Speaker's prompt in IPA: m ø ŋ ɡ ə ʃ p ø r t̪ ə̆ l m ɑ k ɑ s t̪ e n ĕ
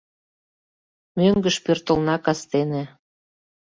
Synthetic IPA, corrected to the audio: m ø ŋ ɡ ə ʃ p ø r t̪ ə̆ l n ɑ k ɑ s t̪ e n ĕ